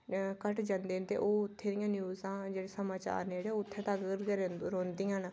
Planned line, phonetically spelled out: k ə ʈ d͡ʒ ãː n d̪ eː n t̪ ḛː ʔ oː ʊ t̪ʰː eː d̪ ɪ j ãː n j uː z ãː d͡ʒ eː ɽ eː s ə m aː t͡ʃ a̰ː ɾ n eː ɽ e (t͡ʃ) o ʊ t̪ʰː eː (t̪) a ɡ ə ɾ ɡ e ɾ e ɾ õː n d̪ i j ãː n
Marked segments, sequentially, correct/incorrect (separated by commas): incorrect, correct